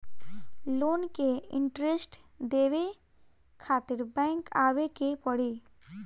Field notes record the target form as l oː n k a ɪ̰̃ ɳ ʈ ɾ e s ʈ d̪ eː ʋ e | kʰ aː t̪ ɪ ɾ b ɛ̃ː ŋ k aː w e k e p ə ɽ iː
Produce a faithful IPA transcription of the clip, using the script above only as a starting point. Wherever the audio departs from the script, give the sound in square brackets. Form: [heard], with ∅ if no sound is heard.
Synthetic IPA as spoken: l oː n k [e] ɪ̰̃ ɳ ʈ ɾ e s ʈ d̪ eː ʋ e | kʰ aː t̪ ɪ ɾ b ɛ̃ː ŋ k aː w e k e p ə ɽ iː